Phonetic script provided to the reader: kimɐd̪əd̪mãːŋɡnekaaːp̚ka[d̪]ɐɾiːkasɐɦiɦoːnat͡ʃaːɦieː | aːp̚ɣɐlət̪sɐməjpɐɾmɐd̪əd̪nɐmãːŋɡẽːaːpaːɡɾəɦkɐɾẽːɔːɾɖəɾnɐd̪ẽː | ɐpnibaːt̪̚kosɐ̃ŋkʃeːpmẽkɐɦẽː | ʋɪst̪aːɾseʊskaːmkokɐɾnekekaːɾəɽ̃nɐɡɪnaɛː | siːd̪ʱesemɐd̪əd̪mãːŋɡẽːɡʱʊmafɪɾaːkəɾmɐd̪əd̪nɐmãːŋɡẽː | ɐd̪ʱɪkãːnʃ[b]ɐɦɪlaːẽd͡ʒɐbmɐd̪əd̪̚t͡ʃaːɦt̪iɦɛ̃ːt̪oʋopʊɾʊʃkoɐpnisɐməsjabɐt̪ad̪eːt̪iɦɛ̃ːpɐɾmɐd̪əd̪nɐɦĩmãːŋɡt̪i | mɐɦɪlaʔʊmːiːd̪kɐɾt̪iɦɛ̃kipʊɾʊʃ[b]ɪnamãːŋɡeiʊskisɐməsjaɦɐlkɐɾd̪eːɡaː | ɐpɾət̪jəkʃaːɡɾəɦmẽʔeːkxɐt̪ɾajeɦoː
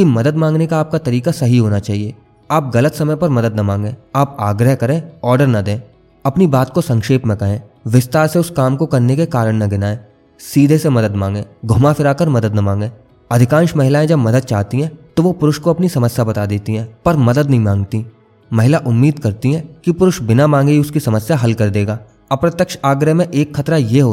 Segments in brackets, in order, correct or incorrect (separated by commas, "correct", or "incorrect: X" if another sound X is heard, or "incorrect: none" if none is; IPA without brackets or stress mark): incorrect: t̪, incorrect: m, correct